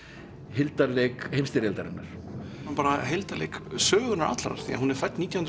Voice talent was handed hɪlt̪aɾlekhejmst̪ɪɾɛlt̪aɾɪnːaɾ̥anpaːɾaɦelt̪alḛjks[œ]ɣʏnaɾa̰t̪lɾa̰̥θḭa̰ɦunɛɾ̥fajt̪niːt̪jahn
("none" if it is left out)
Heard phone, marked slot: œː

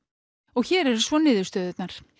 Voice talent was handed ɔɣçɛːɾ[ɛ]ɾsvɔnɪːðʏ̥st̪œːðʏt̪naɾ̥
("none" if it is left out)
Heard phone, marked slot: ɛ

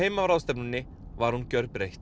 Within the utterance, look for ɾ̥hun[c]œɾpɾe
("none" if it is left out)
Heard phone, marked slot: c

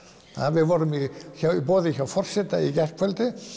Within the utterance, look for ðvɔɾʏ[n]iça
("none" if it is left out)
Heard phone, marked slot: m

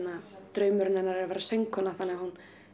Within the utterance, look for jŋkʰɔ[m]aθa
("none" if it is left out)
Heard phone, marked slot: n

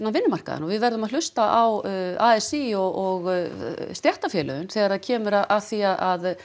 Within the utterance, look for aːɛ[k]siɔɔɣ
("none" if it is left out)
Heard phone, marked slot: none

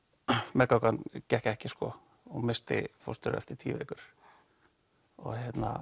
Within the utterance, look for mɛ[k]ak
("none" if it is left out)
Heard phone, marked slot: k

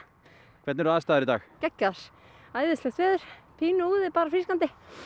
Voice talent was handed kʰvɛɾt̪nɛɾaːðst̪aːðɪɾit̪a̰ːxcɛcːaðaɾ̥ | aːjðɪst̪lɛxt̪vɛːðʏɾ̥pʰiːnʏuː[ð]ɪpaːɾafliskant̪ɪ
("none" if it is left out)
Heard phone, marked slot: ð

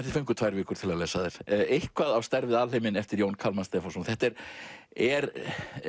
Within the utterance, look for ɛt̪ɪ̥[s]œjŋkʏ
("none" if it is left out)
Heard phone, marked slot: f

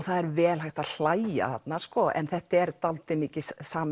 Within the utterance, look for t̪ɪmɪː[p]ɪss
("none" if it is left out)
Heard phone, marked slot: c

